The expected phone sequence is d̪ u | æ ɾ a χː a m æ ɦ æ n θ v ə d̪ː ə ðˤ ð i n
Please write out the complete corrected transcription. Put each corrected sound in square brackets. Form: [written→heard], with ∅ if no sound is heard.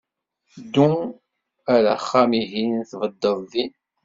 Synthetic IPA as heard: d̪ u | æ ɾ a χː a m [æ→i] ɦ [æ→i] n θ v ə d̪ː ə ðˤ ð i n